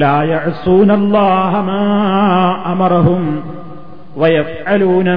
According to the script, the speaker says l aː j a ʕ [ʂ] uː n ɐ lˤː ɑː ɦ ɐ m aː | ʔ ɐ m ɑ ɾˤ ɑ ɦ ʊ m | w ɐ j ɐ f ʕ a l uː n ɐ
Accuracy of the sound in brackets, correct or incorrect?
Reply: incorrect